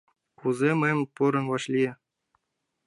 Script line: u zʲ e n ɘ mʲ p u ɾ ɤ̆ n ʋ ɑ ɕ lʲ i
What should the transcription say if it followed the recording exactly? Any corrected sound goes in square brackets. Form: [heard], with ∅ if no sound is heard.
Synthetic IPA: u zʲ e [m] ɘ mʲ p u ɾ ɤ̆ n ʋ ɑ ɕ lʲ i